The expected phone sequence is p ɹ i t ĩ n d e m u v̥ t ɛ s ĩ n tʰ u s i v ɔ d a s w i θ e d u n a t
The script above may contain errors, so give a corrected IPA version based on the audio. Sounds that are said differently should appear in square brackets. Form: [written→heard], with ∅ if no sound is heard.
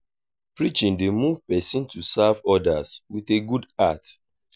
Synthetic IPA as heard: p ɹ i [t→t͡ʃ] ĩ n d e m u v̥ [t→p] ɛ s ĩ n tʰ u s [i→a] v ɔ d a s w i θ e [d→ɡ] u [n→d] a t

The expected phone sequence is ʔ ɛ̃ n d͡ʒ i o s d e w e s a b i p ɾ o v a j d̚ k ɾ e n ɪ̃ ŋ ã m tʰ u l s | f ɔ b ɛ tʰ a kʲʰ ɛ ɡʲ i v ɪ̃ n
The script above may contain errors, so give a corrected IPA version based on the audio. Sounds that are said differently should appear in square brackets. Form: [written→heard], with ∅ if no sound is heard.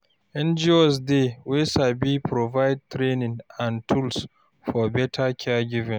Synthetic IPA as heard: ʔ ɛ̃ n d͡ʒ i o s d e w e s a b i p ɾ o v a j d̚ [k→t] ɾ e n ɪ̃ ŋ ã [m→n] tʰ u l s | f ɔ b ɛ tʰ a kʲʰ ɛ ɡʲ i v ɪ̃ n

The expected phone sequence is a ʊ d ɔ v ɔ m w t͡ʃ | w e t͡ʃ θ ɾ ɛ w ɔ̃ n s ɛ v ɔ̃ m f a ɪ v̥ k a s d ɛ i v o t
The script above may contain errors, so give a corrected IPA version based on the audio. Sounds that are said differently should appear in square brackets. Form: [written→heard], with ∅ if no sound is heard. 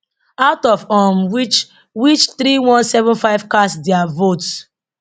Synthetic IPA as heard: a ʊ [d→t] ɔ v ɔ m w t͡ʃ | w [e→i] t͡ʃ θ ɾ [ɛ→i] w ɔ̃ n s ɛ v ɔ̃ [m→n] f a ɪ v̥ k a s d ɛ [i→a] v o t

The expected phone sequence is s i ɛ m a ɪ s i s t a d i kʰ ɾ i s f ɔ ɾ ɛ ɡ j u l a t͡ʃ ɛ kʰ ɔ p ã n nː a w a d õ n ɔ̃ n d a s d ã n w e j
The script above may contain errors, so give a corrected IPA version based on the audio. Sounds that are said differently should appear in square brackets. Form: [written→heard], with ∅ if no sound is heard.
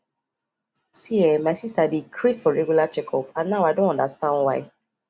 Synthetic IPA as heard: s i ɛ m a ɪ s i s t a d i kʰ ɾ i s f ɔ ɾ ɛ ɡ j u l a t͡ʃ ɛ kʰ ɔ p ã n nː a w a d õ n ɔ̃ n d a s [d→t] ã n w [e→a] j

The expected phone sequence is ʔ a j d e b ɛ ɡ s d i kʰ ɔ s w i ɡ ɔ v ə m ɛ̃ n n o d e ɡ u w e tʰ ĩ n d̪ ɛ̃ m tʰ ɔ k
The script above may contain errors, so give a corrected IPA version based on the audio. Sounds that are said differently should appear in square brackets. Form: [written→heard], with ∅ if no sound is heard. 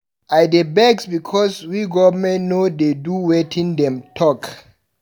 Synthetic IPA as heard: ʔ a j d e b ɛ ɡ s [d→b] i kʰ ɔ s w i ɡ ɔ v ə m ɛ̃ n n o d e [ɡ→d] u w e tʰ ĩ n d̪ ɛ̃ m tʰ ɔ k

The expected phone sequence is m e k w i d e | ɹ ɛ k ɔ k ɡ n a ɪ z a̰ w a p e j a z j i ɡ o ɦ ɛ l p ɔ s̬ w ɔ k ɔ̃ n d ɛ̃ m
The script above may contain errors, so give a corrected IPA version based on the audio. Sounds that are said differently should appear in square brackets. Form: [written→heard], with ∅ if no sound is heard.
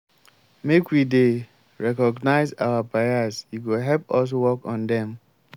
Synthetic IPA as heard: m e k w i d e | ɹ ɛ k ɔ [k→∅] ɡ n a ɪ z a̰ w a p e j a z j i ɡ o ɦ ɛ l p ɔ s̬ w ɔ k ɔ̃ n d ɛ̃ m

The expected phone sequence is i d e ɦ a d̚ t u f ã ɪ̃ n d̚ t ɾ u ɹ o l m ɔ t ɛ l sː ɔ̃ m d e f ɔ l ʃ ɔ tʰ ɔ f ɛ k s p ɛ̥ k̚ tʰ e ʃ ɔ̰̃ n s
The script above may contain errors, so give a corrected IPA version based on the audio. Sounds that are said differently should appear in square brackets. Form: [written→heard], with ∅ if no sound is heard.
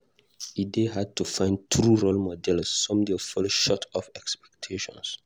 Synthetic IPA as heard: i d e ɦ a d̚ t u f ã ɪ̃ n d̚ t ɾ u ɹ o l m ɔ [t→d] ɛ l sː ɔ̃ m d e f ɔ l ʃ ɔ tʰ ɔ f ɛ k s p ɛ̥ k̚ tʰ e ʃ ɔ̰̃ n s

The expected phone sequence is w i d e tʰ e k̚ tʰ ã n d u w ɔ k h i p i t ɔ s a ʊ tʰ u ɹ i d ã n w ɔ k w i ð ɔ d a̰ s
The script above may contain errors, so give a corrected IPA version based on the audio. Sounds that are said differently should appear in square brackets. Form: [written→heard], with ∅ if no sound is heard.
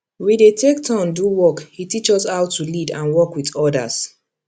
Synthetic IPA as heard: w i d e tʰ e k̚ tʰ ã n d u w ɔ k h i [p→t] i [t→t͡ʃ] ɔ s a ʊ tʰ u [ɹ→l] i d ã n w ɔ k w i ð ɔ d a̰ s

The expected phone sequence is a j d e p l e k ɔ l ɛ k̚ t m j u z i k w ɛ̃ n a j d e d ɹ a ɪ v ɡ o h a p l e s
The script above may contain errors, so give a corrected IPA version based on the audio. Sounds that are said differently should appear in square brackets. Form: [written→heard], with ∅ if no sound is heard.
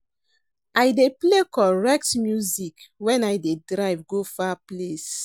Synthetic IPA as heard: a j d e p l e k ɔ [l→ɹ] ɛ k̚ t m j u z i k w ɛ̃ n a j d e d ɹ a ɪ v ɡ o [h→f] a p l e s

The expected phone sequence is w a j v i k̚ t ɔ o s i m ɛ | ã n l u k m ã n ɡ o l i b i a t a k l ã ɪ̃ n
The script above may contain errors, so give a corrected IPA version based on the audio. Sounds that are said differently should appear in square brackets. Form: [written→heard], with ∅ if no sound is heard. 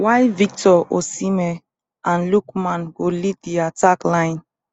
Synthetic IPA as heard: w a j v i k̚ t ɔ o s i m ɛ | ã n l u k m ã n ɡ o l i [b→d] i a t a k l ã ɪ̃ n

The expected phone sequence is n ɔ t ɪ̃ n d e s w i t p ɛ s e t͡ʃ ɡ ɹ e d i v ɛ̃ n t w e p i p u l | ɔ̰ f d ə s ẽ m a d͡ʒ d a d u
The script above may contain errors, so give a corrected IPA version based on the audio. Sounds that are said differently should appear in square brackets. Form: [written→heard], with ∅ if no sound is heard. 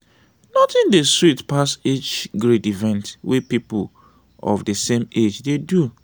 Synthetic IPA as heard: n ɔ t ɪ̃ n d e s w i t p [ɛ→a] s e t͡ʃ ɡ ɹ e d i v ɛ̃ n t w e p i p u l | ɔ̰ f d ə s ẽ m [a→e] d͡ʒ d [a→e] d u

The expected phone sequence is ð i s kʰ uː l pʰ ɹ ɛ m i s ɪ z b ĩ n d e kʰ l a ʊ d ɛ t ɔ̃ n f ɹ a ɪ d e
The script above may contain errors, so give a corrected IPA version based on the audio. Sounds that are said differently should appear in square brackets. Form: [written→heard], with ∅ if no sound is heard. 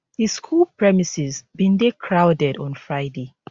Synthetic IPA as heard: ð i s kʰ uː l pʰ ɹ ɛ m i s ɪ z b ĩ n d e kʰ [l→ɹ] a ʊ d ɛ [t→d] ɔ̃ n f ɹ a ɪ d e

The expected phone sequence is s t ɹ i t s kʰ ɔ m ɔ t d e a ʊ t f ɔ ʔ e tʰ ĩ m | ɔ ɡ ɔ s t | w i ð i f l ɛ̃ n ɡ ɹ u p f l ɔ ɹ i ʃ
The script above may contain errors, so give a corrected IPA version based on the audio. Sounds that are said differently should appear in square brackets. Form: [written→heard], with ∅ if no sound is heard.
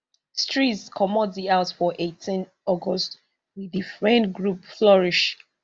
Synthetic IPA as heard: s t ɹ i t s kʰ ɔ m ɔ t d [e→i] a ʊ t f ɔ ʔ e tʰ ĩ [m→n] | ɔ ɡ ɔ s t | w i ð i f [l→ɹ] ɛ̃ n ɡ ɹ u p f l ɔ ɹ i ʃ

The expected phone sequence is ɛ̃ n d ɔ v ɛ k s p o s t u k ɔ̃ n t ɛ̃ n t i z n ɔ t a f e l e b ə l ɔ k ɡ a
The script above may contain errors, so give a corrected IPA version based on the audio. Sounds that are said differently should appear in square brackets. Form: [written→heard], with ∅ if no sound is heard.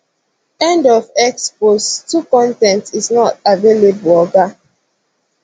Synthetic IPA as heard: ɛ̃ n d ɔ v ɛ k s p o s t u k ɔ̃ n t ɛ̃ n t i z n ɔ t a [f→v] e l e b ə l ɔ [k→∅] ɡ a

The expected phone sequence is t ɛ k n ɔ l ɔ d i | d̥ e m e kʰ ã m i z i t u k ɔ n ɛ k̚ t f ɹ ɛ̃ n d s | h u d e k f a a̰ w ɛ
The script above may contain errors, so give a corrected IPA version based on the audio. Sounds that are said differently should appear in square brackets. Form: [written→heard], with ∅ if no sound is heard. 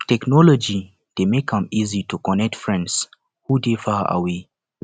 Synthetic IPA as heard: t ɛ k n ɔ l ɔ [d→d͡ʒ] i | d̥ e m e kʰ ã m i z i t u k ɔ n ɛ k̚ t f ɹ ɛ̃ n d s | h u d e [k→∅] f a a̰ w [ɛ→e]

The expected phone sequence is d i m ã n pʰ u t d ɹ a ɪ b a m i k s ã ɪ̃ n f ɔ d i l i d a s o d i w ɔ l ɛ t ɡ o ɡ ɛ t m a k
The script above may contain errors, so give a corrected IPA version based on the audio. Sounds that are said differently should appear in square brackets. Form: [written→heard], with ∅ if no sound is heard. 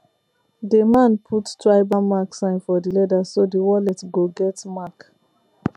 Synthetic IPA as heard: d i m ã n pʰ u t [d→t] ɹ a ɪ b a m [i→a] k s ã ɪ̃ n f ɔ d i l [i→ɛ] d a s o d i w ɔ l ɛ t ɡ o ɡ ɛ t m a k

